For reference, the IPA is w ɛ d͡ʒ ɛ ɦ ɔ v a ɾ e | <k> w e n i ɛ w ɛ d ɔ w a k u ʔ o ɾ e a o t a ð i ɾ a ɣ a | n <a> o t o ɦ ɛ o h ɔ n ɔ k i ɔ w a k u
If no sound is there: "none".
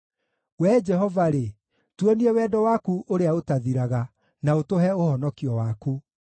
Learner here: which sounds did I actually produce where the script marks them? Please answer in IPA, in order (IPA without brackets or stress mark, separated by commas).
t, a